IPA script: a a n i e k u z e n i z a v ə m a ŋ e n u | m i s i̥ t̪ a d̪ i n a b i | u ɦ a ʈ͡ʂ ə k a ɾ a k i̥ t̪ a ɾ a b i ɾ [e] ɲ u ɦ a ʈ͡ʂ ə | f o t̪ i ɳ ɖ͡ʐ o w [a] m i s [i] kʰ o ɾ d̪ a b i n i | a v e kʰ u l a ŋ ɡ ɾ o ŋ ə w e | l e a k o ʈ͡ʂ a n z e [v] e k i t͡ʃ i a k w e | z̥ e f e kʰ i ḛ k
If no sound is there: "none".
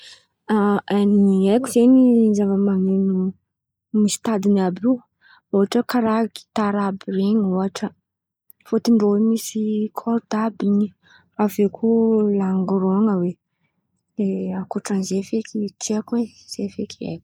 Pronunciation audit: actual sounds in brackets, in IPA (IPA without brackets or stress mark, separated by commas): e, e, i, f